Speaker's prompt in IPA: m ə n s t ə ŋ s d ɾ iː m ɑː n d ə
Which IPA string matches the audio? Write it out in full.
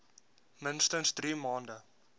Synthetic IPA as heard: m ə n s t ə n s d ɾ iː m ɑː n d ə